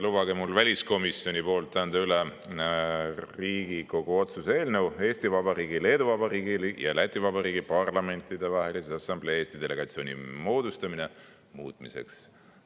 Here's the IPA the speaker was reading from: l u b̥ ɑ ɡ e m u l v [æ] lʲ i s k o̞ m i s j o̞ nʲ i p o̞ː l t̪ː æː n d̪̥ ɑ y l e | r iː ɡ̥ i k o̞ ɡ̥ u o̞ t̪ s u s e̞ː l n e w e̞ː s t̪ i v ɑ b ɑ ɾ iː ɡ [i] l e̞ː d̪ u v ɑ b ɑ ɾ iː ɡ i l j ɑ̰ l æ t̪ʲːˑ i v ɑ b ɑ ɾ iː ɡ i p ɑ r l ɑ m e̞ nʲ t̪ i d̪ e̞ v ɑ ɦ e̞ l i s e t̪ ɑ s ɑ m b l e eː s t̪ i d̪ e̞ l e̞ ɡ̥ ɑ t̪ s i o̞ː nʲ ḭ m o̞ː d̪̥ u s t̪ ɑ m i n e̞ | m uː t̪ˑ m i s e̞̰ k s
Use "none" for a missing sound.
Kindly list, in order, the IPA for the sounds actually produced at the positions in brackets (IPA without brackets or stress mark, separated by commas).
æ, i